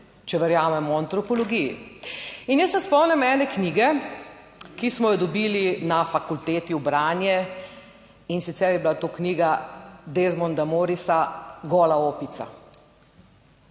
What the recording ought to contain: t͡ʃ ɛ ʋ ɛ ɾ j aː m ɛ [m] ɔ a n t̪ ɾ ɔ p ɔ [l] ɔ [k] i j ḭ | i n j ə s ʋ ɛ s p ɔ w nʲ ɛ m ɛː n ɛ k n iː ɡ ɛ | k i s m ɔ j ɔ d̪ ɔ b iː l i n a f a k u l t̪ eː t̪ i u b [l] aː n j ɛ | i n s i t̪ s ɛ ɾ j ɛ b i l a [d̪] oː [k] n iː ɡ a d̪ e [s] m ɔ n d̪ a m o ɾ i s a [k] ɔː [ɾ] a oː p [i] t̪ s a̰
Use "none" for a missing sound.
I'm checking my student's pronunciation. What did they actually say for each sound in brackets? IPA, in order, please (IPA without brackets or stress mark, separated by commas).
m, l, ɡ, ɾ, t̪, k, z, ɡ, l, i